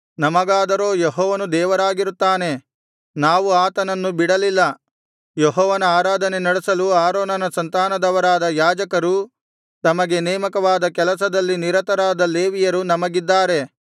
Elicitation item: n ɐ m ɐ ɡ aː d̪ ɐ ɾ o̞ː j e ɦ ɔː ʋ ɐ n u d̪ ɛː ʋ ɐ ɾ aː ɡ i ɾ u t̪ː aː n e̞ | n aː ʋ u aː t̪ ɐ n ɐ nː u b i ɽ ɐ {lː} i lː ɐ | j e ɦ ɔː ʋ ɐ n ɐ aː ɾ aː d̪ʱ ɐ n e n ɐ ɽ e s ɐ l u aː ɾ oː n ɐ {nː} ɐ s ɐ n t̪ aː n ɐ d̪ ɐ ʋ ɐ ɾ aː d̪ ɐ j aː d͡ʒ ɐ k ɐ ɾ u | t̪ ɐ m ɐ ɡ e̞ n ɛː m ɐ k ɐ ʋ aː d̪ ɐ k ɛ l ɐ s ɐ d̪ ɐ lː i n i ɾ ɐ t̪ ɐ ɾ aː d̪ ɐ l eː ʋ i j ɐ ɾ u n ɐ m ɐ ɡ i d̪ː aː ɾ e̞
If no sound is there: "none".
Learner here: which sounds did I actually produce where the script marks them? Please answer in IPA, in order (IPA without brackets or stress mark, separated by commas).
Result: l, n